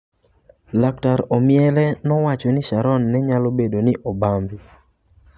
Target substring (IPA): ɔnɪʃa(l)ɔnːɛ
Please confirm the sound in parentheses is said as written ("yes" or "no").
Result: no